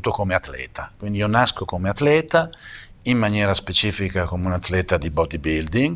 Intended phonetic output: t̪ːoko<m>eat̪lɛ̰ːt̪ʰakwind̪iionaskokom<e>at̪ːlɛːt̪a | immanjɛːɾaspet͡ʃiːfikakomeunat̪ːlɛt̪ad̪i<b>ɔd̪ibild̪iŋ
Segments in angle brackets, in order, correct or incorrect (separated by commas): correct, correct, correct